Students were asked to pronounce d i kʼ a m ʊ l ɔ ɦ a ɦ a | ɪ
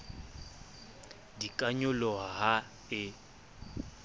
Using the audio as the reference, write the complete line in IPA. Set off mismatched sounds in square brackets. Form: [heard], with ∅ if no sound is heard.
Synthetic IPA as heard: d i kʼ a [ɲ] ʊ l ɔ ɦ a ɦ a | ɪ